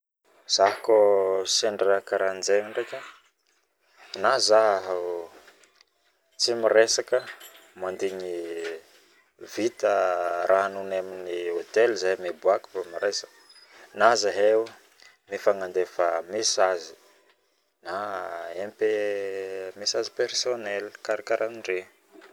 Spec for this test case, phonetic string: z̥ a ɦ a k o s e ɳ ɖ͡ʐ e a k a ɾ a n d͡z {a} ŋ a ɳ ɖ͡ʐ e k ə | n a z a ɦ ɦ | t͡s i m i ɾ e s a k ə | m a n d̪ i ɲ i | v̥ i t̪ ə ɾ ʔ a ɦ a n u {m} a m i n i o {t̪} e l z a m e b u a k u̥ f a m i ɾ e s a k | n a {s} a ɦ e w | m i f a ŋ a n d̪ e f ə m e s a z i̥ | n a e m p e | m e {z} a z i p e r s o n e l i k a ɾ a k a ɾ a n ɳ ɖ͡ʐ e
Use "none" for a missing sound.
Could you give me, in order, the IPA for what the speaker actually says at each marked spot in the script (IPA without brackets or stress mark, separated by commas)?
e, n, t̪, z, s